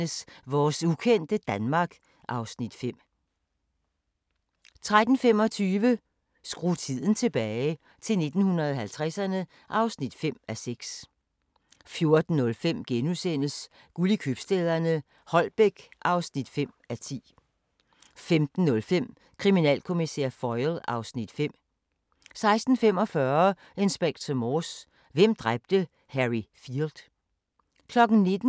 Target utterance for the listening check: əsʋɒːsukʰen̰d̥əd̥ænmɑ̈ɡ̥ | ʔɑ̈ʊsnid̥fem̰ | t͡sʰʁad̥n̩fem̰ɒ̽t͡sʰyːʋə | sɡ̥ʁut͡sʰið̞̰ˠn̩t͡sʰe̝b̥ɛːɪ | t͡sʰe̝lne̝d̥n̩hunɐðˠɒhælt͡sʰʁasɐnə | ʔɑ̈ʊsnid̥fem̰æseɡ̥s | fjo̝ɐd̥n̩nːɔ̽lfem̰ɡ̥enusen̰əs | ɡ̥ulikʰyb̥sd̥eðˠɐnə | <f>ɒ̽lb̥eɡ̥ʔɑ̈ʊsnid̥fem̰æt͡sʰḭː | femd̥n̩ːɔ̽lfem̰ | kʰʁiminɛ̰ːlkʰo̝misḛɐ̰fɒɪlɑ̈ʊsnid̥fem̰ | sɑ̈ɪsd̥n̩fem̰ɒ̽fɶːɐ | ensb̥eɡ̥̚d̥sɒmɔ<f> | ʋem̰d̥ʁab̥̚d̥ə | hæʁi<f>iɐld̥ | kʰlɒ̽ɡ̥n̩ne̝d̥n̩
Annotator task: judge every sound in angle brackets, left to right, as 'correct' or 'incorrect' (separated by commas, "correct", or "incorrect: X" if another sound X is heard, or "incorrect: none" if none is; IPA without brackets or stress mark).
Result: incorrect: h, incorrect: s, correct